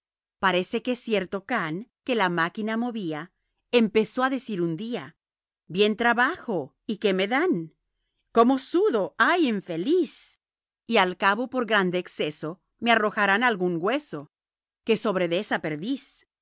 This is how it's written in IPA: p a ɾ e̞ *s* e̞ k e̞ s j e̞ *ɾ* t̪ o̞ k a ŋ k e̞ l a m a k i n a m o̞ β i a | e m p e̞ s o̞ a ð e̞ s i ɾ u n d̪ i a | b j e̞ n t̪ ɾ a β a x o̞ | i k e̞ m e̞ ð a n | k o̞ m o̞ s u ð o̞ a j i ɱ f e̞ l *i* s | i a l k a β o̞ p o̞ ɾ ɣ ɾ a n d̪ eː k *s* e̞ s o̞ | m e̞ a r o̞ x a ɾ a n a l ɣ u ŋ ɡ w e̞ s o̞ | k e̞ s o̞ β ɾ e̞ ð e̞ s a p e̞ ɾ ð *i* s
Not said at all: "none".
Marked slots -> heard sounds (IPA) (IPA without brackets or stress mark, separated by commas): s, ɾ, i, s, i